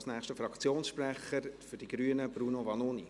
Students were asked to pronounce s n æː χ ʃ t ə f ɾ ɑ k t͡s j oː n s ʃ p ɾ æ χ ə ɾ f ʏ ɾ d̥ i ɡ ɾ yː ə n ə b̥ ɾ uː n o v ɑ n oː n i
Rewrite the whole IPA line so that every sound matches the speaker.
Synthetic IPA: s n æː χ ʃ t ə f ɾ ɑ k t͡s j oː n s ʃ p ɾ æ χ ə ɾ f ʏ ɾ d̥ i ɡ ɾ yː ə n ə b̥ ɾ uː n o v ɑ n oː n i